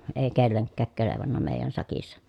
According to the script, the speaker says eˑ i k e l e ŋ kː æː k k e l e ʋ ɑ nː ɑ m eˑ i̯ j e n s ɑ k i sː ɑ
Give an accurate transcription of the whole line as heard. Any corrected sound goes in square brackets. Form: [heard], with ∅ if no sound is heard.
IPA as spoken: eˑ i k e [lː] e ŋ kː æː k k e l e ʋ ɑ nː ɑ m eˑ i̯ j [æ] n s ɑ k i sː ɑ